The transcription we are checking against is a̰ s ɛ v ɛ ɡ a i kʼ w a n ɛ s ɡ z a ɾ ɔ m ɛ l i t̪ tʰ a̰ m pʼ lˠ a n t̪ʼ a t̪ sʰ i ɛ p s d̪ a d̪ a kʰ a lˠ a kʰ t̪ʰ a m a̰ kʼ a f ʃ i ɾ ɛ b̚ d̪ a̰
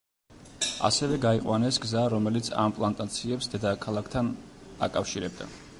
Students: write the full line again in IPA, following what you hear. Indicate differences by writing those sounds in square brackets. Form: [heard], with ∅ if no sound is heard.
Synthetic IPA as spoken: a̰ s ɛ v ɛ ɡ a i [qʼ] w a n ɛ s ɡ z a ɾ ɔ m ɛ l i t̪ [sʰ] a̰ m pʼ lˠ a n t̪ʼ a t̪ sʰ i ɛ p s d̪ [ɛ] d̪ a kʰ a lˠ a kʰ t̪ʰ a [n] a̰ kʼ a f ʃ i ɾ ɛ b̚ d̪ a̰